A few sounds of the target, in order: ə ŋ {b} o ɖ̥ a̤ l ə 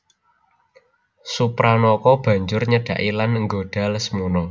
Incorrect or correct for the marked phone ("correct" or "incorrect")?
incorrect